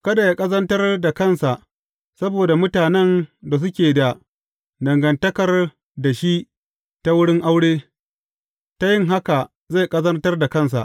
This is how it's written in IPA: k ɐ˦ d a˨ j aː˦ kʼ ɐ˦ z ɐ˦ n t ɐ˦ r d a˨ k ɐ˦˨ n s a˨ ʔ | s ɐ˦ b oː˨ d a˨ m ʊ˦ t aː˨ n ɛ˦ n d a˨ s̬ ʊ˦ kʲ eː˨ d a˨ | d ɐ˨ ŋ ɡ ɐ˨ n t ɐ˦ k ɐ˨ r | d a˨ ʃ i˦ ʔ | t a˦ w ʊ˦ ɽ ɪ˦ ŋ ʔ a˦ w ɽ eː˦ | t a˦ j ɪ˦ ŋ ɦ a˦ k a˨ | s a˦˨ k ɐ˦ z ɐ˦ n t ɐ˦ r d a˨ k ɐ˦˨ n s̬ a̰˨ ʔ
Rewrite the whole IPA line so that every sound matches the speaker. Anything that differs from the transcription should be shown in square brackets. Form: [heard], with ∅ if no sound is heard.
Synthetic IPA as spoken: k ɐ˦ d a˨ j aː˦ kʼ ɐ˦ z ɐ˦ n t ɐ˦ r d a˨ k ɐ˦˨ n s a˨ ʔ | s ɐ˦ b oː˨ d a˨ m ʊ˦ t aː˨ n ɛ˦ n d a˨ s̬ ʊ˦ kʲ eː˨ d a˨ | d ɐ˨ ŋ ɡ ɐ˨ n t ɐ˦ k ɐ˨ r | d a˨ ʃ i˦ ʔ | t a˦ w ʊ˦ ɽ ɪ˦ ŋ ʔ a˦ w ɽ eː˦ | t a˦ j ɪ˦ ŋ ɦ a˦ k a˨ | [z] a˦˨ [kʼ] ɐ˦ z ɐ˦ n t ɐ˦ r d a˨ k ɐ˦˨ n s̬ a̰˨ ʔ